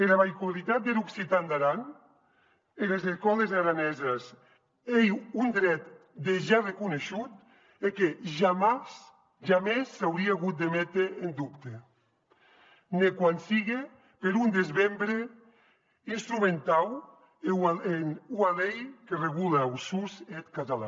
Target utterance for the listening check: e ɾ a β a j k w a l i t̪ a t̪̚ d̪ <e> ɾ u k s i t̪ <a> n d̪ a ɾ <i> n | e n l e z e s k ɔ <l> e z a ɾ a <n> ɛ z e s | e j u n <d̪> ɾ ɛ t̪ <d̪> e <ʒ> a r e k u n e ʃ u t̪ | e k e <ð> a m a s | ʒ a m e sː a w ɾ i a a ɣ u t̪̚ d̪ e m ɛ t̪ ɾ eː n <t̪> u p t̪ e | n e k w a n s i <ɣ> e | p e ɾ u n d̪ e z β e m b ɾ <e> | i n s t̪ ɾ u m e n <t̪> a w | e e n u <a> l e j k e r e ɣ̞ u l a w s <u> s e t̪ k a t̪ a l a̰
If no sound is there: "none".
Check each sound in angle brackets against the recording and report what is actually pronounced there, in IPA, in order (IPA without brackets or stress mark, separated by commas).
e, a, a, l, n, d̪, d̪, ʒ, ʒ, d̪, ɣ, e, t̪, a, u